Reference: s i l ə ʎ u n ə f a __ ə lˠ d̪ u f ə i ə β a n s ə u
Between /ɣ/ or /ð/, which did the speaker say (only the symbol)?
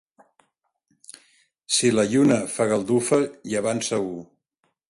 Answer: ɣ